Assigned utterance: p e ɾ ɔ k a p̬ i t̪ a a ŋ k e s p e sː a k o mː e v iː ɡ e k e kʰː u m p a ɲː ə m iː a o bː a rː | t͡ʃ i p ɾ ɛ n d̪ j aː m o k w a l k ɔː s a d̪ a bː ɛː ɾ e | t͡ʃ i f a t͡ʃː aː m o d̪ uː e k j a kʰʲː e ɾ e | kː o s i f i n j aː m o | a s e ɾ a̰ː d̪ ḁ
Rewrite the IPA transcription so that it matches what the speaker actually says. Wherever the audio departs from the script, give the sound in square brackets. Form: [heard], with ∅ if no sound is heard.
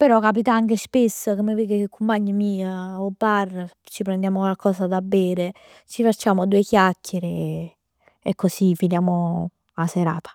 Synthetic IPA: p e ɾ ɔ k a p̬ i t̪ a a ŋ k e s p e sː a k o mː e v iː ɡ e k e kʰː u m p a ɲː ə m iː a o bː a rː | t͡ʃ i p ɾ ɛ n d̪ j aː m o k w a l k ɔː s a d̪ a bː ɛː ɾ e | t͡ʃ i f a t͡ʃː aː m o d̪ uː e k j a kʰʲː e ɾ e | kː o s i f i n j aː m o | a s e ɾ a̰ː [t̪] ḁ